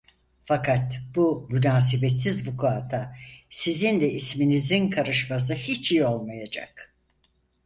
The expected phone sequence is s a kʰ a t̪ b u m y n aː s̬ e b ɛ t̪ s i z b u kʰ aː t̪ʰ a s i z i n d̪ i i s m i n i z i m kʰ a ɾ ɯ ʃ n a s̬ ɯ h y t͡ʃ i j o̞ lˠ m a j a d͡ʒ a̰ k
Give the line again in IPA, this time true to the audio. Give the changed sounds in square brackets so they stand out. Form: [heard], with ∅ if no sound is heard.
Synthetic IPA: [f] a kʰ a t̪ b u m y n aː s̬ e b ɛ t̪ s i z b u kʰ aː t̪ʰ a s i z i n d̪ [ɛ] i s m i n i z i [n] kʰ a ɾ ɯ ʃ [m] a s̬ ɯ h [i] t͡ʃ i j o̞ lˠ m a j a d͡ʒ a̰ k